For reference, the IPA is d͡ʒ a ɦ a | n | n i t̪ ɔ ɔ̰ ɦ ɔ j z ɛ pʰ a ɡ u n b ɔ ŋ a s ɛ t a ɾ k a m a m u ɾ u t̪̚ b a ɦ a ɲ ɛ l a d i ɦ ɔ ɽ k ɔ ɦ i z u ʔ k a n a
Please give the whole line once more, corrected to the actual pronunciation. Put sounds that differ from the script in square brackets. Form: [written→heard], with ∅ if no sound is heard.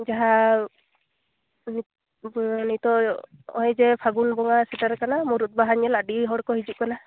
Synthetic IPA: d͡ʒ a ɦ a | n | n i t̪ ɔ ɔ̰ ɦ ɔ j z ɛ pʰ a ɡ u n b ɔ ŋ a s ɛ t a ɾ k a [m→n] a m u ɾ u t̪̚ b a ɦ a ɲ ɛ l a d i ɦ ɔ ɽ k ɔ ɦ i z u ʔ k a n a